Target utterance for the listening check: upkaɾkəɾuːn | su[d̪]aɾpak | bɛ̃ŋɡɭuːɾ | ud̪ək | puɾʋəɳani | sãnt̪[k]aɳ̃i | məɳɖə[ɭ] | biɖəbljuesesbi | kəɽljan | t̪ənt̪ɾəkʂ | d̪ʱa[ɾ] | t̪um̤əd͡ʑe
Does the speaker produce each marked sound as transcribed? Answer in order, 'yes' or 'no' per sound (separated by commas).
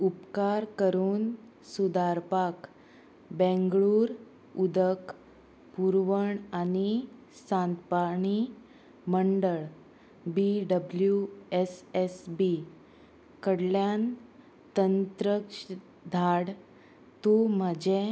yes, no, yes, no